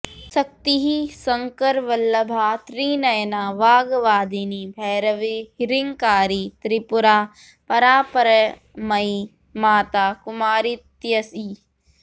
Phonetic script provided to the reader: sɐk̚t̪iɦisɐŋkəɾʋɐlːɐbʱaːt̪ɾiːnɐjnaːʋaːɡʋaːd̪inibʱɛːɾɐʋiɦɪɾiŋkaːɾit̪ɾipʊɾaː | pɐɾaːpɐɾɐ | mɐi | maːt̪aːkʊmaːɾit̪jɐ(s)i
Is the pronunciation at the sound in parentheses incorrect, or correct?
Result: correct